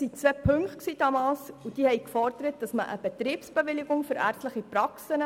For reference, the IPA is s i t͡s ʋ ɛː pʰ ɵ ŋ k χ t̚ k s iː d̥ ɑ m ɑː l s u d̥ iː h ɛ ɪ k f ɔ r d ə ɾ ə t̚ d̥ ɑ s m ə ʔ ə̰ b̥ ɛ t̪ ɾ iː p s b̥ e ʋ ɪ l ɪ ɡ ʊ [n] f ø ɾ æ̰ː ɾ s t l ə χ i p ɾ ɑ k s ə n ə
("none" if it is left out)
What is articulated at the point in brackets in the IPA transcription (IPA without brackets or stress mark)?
ŋ